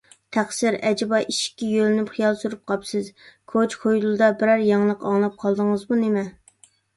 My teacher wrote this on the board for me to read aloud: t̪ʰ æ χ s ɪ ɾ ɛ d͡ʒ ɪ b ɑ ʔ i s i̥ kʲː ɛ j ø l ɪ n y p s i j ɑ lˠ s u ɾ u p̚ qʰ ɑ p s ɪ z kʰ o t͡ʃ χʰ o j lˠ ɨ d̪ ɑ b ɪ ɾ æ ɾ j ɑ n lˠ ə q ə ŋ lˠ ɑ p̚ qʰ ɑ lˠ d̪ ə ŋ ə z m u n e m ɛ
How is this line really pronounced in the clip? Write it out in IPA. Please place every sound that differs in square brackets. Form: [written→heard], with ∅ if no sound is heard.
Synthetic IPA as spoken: t̪ʰ æ χ s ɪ ɾ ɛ d͡ʒ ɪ b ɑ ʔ i [s→ʃ] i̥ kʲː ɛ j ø l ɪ n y p [s→χ] i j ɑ lˠ s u ɾ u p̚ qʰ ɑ p s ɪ z kʰ o t͡ʃ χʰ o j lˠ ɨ d̪ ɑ b ɪ ɾ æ ɾ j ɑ [n→ŋ] lˠ ə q [ə→ɑ] ŋ lˠ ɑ p̚ qʰ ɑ lˠ d̪ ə ŋ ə z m u n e m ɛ